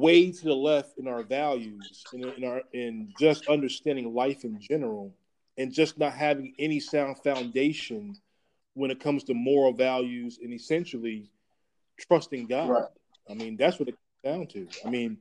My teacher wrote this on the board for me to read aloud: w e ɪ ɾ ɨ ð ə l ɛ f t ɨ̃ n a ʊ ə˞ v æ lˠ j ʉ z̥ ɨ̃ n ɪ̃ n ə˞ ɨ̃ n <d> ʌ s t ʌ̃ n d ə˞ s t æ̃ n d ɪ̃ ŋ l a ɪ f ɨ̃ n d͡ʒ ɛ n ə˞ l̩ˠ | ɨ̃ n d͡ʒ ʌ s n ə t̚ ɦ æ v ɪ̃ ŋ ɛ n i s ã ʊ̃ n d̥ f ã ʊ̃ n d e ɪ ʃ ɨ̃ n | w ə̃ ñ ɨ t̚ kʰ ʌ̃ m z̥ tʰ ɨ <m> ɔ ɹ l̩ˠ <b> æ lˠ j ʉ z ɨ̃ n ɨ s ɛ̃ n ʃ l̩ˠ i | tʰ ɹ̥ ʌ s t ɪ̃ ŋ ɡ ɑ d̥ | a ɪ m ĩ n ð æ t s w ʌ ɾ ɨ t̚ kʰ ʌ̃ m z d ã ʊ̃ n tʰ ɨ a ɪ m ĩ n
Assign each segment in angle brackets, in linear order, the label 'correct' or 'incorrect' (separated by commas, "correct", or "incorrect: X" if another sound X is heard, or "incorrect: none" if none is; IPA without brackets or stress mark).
incorrect: d͡ʒ, correct, incorrect: v